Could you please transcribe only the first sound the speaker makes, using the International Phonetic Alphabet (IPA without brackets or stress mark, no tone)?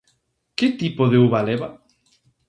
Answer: k